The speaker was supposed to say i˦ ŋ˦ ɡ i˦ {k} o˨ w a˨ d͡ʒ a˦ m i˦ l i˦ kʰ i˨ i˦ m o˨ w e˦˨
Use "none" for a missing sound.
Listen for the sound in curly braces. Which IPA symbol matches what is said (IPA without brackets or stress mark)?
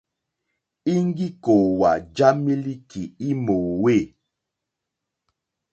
k